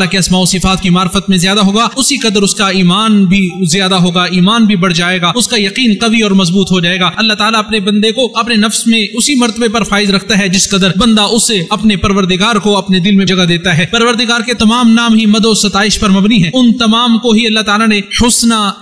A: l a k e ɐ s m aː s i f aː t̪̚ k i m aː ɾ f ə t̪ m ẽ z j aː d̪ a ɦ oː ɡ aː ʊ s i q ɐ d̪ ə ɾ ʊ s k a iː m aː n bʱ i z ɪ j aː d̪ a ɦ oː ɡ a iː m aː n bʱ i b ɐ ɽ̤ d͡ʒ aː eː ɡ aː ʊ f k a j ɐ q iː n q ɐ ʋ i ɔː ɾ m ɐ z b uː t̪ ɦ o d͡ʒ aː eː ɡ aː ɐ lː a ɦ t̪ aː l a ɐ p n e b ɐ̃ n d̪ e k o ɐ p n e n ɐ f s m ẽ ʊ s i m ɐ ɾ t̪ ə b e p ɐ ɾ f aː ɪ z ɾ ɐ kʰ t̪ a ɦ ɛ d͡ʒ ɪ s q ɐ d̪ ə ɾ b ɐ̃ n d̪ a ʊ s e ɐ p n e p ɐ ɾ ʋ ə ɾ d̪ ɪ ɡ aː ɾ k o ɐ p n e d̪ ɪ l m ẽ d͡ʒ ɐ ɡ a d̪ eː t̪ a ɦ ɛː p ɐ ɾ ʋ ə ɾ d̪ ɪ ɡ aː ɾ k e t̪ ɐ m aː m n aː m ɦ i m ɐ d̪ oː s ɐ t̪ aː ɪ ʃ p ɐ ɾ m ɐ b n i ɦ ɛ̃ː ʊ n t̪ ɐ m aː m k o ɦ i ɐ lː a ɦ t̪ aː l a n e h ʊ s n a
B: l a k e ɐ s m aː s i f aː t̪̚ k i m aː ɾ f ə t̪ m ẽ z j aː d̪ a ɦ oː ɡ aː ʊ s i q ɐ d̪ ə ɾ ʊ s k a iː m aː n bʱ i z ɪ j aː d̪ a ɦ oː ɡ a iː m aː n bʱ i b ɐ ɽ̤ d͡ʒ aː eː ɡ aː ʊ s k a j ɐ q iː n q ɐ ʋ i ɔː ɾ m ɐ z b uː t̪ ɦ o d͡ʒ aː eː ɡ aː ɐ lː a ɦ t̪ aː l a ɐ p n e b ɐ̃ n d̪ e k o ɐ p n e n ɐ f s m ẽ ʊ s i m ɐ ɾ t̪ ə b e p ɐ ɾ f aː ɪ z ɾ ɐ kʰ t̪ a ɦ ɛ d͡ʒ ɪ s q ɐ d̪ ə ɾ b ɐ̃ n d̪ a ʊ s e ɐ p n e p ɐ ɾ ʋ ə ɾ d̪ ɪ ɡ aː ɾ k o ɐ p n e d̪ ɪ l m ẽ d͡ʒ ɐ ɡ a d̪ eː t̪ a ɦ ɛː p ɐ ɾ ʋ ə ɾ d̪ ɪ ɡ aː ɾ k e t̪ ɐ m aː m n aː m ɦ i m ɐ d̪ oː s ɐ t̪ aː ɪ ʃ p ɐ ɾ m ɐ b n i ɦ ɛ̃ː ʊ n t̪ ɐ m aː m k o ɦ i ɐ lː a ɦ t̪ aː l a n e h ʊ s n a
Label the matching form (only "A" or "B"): B